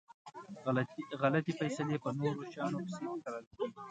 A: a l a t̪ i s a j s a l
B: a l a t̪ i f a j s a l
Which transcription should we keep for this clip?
B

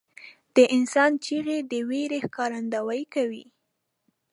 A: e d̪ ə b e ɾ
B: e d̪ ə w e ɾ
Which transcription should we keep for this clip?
B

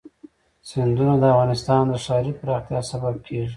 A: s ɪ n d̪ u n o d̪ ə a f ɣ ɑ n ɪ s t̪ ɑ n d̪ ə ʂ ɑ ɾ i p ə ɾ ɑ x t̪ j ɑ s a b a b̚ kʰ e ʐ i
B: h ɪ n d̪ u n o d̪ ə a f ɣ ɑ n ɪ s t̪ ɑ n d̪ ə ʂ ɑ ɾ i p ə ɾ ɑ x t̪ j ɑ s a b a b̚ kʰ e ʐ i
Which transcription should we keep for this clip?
A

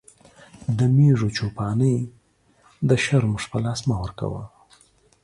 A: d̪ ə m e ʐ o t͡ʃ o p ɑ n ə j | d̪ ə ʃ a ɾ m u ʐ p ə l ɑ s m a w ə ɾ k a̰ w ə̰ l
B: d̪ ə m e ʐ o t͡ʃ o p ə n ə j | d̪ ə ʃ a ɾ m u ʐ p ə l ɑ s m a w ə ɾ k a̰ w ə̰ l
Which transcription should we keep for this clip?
A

